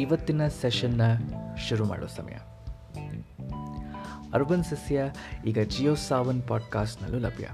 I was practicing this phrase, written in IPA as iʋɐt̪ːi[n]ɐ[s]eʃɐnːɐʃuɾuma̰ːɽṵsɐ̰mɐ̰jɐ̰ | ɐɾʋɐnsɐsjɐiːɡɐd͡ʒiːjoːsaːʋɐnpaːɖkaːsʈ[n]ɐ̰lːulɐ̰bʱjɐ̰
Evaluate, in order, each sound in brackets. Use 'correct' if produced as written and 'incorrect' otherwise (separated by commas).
correct, correct, correct